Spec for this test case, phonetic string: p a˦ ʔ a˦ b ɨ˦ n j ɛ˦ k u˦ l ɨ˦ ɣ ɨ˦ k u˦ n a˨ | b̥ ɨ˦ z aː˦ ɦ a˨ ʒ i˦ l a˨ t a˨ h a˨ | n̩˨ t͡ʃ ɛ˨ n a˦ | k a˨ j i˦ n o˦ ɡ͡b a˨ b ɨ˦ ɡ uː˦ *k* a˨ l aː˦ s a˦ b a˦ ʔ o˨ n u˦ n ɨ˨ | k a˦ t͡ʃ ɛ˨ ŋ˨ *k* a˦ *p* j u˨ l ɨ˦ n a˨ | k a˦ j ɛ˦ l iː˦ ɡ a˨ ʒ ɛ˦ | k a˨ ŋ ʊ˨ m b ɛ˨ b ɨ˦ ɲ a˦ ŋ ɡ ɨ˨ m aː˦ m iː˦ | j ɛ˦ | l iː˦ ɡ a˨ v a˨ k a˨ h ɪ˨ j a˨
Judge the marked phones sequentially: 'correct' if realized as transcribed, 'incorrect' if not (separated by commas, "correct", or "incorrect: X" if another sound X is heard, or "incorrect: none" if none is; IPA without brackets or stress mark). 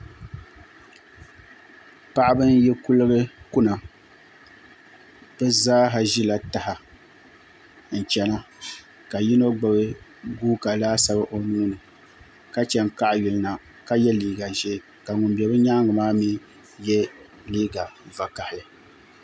correct, correct, incorrect: ʔ